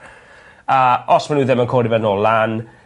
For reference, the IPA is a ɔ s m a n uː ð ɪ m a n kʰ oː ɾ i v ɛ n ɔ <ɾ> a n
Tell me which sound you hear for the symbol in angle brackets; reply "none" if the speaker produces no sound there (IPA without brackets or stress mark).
l